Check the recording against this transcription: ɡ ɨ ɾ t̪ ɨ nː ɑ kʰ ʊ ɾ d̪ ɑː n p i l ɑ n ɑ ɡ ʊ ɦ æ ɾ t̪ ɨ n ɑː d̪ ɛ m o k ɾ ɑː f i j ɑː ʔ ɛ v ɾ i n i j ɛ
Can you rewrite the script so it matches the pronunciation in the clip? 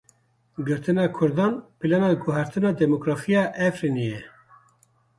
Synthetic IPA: ɡ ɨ ɾ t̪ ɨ n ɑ kʰ ʊ ɾ d̪ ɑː n p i l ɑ n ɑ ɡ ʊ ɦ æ ɾ t̪ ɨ n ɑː d̪ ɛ m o k ɾ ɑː f i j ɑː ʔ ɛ f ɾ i n i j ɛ